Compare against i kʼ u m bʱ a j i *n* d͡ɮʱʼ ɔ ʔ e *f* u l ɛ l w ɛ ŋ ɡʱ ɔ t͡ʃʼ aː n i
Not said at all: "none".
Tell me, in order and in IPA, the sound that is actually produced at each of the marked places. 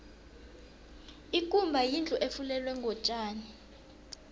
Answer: n, f

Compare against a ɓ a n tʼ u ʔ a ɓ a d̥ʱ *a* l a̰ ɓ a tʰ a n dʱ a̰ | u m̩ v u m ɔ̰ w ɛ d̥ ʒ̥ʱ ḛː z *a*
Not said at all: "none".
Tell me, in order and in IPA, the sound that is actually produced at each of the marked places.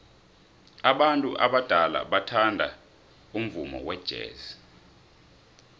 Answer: a, i

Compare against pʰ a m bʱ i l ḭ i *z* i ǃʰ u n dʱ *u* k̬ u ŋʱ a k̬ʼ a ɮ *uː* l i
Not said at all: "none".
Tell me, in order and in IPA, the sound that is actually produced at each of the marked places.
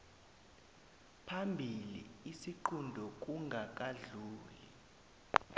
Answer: s, ɔ, uː

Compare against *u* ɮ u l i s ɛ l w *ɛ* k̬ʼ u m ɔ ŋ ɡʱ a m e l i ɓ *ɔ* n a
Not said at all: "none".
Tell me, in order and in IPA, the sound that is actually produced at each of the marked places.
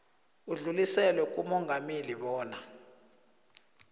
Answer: u, ɛ, ɔː

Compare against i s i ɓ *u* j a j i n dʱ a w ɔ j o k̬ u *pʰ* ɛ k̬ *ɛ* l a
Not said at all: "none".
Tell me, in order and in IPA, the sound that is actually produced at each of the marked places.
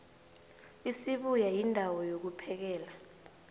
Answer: u, pʰ, ɛː

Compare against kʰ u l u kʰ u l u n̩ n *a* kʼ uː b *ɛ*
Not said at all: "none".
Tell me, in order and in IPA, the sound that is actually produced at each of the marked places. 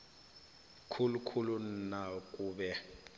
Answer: a, ɛ

